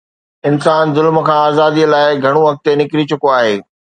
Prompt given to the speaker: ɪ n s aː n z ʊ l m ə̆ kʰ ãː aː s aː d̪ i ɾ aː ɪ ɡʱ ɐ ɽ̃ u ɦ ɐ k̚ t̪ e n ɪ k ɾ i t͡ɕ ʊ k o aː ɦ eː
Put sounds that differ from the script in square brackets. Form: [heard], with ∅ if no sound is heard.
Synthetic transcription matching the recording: ɪ n s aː n z ʊ l m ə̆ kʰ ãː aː [z] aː d̪ i [l] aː ɪ ɡʱ ɐ ɽ̃ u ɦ ɐ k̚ t̪ e n ɪ k ɾ i t͡ɕ ʊ k o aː ɦ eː